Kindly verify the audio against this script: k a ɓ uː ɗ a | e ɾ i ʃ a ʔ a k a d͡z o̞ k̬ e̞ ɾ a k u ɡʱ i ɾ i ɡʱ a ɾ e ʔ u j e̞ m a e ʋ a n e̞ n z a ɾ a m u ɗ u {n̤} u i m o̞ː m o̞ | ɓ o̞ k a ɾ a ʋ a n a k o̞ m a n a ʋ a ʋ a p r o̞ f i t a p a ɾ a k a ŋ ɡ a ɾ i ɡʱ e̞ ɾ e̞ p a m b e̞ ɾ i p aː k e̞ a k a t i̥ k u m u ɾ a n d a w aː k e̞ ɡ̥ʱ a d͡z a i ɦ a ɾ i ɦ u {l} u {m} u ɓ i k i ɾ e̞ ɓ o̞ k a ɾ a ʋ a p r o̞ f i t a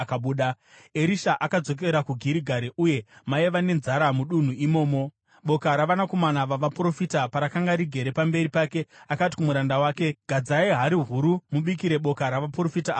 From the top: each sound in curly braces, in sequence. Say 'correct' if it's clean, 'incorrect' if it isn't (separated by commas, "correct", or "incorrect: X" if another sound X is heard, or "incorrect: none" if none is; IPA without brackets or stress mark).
correct, incorrect: ɾ, correct